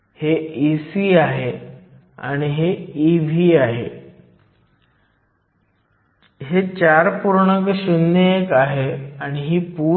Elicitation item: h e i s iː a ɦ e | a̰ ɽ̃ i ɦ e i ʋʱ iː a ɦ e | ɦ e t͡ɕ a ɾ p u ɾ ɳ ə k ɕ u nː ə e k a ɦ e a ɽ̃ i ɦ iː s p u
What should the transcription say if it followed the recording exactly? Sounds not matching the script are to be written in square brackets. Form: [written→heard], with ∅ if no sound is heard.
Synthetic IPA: h e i s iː a ɦ e | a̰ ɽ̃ i ɦ e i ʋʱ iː a ɦ e | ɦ e t͡ɕ a ɾ p u ɾ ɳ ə k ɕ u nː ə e k a ɦ e a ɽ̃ i ɦ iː [s→∅] p u

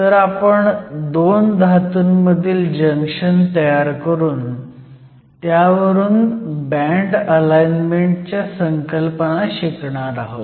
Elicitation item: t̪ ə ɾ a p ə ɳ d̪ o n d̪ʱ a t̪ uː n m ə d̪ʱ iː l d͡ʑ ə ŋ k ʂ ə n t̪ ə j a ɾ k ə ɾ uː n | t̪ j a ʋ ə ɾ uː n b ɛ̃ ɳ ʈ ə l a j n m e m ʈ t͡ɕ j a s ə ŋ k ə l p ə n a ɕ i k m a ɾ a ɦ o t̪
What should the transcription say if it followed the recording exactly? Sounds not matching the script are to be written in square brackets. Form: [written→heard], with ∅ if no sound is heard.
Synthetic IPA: t̪ ə ɾ a p ə ɳ d̪ o n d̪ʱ a t̪ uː n m ə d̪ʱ iː l d͡ʑ ə ŋ k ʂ ə n t̪ ə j a ɾ k ə ɾ uː n | t̪ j a ʋ ə ɾ uː n b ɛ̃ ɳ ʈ ə l a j n m e [m→ɳ] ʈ t͡ɕ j a s ə ŋ k ə l p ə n a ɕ i k [m→ɳ] a ɾ a ɦ o t̪

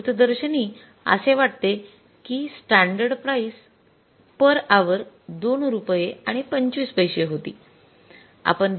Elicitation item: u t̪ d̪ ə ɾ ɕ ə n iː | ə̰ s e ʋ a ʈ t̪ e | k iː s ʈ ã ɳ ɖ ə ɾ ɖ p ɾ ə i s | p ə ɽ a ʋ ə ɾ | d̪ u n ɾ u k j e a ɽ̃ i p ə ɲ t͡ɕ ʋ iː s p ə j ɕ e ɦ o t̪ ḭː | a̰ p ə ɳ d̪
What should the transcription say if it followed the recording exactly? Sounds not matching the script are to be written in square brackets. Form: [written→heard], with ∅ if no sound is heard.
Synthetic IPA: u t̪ d̪ ə ɾ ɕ ə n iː | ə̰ s e ʋ a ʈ t̪ e | k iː s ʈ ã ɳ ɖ ə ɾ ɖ p ɾ [ə→a] i s | p ə [ɽ→ɾ] a ʋ ə ɾ | d̪ [u→o] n ɾ u [k→p] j e a ɽ̃ i p ə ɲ t͡ɕ ʋ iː s p ə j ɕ e ɦ o t̪ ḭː | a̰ p ə ɳ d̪

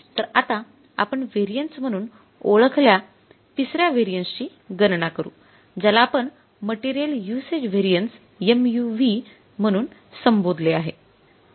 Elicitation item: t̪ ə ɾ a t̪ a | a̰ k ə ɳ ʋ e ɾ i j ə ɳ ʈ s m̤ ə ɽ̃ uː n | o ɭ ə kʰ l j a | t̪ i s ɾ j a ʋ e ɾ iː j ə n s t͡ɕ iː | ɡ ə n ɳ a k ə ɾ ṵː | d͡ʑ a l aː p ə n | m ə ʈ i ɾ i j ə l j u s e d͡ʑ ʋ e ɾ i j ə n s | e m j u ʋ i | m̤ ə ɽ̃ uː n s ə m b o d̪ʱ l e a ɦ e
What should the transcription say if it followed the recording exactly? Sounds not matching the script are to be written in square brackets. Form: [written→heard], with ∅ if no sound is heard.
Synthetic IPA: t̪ ə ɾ a t̪ a | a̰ [k→p] ə ɳ ʋ e ɾ i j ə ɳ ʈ s m̤ ə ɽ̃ uː n | o ɭ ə kʰ l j a | t̪ i s ɾ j a ʋ e ɾ [iː→i] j ə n s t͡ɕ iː | ɡ ə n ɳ a k ə ɾ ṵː | d͡ʑ a l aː p ə [n→ɳ] | m ə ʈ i ɾ i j ə l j u s e d͡ʑ ʋ e ɾ i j ə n s | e m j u ʋ i | m̤ ə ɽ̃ uː n s ə m b o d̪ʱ l e a ɦ e

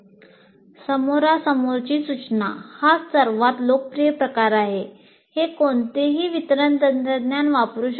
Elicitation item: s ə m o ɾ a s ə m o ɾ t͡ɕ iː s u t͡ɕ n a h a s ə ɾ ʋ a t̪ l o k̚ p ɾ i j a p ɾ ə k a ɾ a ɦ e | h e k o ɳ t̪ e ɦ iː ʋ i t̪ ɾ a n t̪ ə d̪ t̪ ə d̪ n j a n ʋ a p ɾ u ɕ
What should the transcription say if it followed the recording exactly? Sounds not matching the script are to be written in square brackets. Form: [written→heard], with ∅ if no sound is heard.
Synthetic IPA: s ə m o ɾ a s ə m o ɾ t͡ɕ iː s u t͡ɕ n a h a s ə ɾ ʋ a t̪ l o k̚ p ɾ i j [a→ə] p ɾ ə k a ɾ a ɦ e | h e k o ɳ t̪ e ɦ iː ʋ i t̪ ɾ [a→ə] n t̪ ə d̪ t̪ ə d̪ n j a n ʋ a p ɾ u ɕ

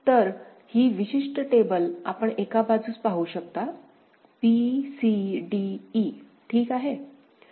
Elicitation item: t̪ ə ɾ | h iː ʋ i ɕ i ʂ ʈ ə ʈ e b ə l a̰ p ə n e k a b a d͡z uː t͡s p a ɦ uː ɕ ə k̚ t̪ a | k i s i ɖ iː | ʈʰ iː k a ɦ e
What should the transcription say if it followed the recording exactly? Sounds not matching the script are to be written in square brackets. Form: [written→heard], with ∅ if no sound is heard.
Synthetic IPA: t̪ ə ɾ | h iː ʋ i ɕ i ʂ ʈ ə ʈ e b ə l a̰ p ə [n→ɳ] e k a b a d͡z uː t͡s p a ɦ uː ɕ ə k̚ t̪ a | [k→p] i s i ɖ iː | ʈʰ iː k a ɦ e

